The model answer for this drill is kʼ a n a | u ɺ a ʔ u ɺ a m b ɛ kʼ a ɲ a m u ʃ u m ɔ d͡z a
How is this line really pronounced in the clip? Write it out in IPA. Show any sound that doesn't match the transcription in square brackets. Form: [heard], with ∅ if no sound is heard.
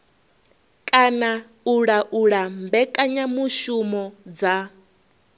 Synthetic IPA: kʼ a n a | u ɺ a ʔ u ɺ a m b ɛ kʼ a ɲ a m u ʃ u m ɔ d͡z a